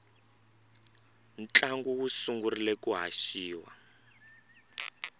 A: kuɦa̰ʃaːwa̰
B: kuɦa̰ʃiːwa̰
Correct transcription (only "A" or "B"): B